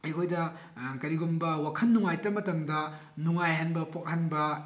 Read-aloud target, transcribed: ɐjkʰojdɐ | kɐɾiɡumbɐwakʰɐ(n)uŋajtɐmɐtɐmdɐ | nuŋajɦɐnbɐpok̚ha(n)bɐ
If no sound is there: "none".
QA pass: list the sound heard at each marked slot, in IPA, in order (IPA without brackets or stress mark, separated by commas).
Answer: nː, n